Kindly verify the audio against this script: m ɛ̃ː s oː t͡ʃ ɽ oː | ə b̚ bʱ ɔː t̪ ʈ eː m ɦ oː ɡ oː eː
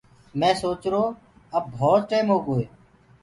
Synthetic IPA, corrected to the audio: m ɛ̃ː s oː t͡ʃ ɾ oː | ə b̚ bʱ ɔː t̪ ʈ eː m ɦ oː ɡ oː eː